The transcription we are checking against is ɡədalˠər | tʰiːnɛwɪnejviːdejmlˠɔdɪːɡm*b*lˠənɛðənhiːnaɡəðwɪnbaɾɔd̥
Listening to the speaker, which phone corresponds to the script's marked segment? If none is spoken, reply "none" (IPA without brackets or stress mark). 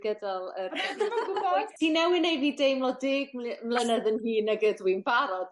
m